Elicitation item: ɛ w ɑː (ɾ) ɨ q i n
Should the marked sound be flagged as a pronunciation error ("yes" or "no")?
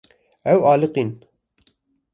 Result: yes